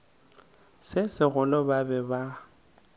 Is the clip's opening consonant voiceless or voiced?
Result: voiceless